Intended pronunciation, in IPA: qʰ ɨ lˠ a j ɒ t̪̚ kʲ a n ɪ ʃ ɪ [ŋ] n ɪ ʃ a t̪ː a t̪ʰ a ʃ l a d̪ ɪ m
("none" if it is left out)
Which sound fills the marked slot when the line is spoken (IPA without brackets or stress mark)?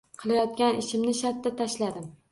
m